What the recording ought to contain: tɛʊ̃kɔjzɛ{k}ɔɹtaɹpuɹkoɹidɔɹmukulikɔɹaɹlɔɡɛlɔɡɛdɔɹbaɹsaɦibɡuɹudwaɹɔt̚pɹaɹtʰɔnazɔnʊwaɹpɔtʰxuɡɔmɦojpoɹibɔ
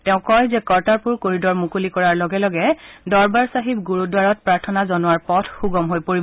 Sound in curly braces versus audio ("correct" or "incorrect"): correct